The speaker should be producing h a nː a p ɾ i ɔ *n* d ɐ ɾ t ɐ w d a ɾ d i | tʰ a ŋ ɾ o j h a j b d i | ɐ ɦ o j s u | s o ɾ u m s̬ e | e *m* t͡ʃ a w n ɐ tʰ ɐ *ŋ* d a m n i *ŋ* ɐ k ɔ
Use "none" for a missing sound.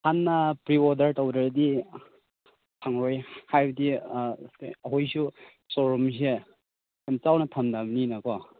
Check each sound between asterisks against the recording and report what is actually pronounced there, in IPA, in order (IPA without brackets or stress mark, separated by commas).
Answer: none, m, m, n